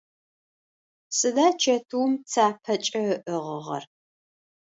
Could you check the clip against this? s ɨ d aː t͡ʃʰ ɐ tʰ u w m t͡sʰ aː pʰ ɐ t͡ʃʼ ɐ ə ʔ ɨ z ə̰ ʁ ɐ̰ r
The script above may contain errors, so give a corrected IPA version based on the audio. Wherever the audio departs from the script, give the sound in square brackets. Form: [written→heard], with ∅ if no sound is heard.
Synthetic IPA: s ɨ d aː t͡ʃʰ ɐ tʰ u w m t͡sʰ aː pʰ ɐ t͡ʃʼ ɐ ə ʔ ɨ [z→ʁ] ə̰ ʁ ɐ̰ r